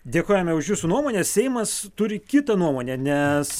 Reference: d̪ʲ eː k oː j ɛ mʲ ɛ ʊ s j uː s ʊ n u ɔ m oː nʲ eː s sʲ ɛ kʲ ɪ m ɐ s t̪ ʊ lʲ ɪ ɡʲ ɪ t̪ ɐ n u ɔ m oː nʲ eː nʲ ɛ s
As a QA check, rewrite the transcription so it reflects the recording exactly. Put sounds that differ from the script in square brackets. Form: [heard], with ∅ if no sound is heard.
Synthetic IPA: d̪ʲ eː k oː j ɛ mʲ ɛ ʊ [ʃ] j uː s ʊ n u ɔ m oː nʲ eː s sʲ ɛ [∅] ɪ m ɐ s t̪ ʊ [ɾʲ] ɪ [kʲ] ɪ t̪ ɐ n u ɔ m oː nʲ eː nʲ ɛ s

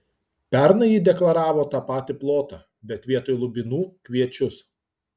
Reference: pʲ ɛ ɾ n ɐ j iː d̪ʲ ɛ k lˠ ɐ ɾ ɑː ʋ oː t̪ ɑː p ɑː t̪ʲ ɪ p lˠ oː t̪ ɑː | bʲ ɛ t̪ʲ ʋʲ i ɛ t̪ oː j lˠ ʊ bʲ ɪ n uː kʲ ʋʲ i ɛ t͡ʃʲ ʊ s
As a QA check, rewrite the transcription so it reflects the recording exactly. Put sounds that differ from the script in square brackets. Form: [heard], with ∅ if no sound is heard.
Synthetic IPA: pʲ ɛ ɾ n ɐ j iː d̪ʲ ɛ k lˠ ɐ ɾ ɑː ʋ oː t̪ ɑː p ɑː t̪ʲ ɪ p lˠ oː t̪ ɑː | bʲ ɛ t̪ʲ ʋʲ i ɛ t̪ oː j lˠ ʊ bʲ ɪ n uː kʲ ʋʲ i ɛ t͡ʃʲ ʊ s

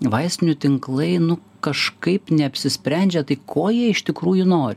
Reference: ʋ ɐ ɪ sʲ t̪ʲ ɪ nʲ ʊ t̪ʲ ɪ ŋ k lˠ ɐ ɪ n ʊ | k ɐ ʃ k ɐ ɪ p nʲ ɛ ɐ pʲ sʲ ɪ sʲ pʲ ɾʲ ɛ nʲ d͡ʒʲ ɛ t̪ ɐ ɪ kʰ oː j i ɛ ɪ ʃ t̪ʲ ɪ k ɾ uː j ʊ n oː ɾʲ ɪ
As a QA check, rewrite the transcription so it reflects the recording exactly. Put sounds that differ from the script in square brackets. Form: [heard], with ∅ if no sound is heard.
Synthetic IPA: ʋ ɐ ɪ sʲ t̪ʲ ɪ nʲ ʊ t̪ʲ ɪ ŋ k lˠ ɐ ɪ n ʊ | k ɐ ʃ k ɐ ɪ p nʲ ɛ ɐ pʲ sʲ ɪ sʲ pʲ ɾʲ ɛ nʲ d͡ʒʲ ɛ t̪ ɐ ɪ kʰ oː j i ɛ ɪ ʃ t̪ʲ ɪ k ɾ uː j ʊ n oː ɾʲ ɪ

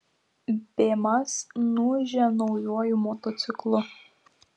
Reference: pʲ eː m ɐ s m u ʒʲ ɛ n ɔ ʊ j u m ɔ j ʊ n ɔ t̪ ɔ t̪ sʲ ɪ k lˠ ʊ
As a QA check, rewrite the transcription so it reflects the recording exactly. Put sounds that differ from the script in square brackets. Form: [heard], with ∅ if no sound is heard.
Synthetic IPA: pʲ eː m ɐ s [n] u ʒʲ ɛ n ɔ ʊ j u [∅] ɔ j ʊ [m] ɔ t̪ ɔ t̪ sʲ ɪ k lˠ ʊ

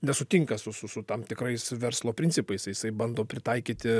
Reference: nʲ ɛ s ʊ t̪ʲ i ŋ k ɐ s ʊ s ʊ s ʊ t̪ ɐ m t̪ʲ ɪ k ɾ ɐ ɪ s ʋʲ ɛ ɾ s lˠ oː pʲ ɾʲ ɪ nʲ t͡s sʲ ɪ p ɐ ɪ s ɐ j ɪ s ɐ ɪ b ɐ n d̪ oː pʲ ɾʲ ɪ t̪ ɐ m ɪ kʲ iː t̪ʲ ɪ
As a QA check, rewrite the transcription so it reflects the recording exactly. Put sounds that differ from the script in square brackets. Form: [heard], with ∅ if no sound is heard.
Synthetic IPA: nʲ ɛ s ʊ t̪ʲ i ŋ k ɐ s ʊ s ʊ s ʊ t̪ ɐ m t̪ʲ ɪ k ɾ ɐ ɪ s ʋʲ ɛ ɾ s lˠ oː pʲ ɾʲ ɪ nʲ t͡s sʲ ɪ p ɐ ɪ s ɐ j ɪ s ɐ ɪ b ɐ n d̪ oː pʲ ɾʲ ɪ t̪ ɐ [∅] ɪ kʲ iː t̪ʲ ɪ

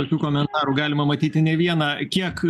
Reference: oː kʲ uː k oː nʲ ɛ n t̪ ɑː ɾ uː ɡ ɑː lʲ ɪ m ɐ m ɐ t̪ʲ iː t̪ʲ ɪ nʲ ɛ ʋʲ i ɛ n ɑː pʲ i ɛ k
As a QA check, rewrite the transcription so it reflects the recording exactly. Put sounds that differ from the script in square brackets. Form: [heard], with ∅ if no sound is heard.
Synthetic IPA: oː kʲ uː k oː [mʲ] ɛ n t̪ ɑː ɾ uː ɡ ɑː lʲ ɪ m ɐ m ɐ t̪ʲ iː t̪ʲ ɪ nʲ ɛ ʋʲ i ɛ n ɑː [kʲ] i ɛ k

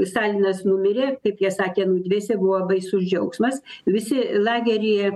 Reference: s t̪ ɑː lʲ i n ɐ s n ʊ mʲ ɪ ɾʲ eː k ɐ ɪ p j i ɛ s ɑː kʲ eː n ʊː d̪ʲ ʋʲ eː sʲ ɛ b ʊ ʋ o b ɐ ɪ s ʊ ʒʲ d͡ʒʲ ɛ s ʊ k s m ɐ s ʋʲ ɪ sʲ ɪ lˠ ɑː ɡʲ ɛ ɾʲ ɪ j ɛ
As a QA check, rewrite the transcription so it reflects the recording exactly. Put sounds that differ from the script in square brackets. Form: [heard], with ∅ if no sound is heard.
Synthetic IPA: s t̪ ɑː lʲ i n ɐ s n ʊ mʲ ɪ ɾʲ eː k ɐ ɪ p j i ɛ s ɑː kʲ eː n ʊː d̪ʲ ʋʲ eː sʲ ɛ b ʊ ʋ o b ɐ ɪ s ʊ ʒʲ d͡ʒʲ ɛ [∅] ʊ k s m ɐ s ʋʲ ɪ sʲ ɪ lˠ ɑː ɡʲ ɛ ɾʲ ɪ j ɛ

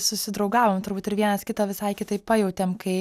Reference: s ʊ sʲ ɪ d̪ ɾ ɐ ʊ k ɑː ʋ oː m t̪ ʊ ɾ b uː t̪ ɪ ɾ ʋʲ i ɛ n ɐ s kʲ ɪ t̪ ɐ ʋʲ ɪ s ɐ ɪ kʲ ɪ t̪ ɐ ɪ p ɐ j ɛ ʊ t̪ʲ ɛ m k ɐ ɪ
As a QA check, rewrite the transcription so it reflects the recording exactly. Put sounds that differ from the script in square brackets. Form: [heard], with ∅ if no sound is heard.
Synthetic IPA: s ʊ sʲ ɪ d̪ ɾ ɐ ʊ [ɡ] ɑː ʋ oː m t̪ ʊ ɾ b uː t̪ ɪ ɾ ʋʲ i ɛ n ɐ s kʲ ɪ t̪ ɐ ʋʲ ɪ s ɐ ɪ kʲ ɪ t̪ ɐ ɪ p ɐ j ɛ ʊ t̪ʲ ɛ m k ɐ ɪ

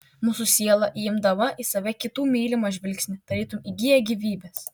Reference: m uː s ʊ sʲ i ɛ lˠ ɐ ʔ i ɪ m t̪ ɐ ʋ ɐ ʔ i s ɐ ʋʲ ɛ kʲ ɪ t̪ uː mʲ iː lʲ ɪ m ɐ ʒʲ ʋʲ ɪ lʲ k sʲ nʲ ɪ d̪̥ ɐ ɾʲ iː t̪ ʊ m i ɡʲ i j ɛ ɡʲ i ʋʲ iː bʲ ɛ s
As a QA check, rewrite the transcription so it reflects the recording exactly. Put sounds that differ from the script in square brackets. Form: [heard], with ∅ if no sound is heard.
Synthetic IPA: m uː s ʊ sʲ i ɛ lˠ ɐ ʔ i ɪ m [d̪] ɐ ʋ ɐ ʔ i s ɐ ʋʲ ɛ kʲ ɪ t̪ uː mʲ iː lʲ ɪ m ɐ ʒʲ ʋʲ ɪ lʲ k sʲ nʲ ɪ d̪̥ ɐ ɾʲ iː t̪ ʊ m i ɡʲ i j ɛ ɡʲ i ʋʲ iː bʲ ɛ s

